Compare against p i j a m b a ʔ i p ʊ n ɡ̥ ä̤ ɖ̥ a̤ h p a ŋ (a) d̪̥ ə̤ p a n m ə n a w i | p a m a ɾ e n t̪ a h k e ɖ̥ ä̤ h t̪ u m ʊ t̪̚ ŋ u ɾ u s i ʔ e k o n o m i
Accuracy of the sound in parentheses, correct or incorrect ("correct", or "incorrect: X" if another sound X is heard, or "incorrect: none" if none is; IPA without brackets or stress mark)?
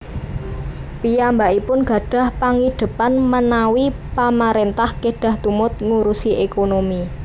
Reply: incorrect: i